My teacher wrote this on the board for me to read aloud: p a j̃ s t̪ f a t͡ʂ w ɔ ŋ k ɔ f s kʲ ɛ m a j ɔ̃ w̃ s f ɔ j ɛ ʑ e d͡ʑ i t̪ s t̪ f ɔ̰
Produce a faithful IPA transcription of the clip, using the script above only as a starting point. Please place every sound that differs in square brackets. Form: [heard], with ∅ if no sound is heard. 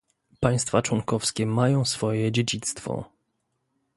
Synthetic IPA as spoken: p a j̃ s t̪ f a t͡ʂ w ɔ ŋ k ɔ f s kʲ ɛ m a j ɔ̃ w̃ s f ɔ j ɛ [d͡ʑ] e d͡ʑ i t̪ s t̪ f ɔ̰